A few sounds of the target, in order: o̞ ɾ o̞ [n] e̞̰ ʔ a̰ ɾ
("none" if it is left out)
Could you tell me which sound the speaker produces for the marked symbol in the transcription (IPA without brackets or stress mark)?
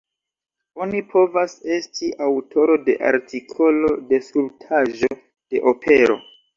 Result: d